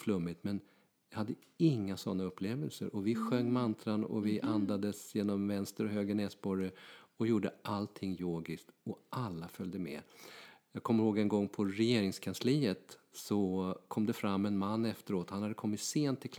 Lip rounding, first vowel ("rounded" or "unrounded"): rounded